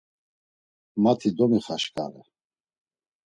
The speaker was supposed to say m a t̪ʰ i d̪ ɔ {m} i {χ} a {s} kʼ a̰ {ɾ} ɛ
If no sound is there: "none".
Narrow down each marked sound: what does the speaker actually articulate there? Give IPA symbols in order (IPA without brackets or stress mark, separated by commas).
m, χ, ʃ, ɾ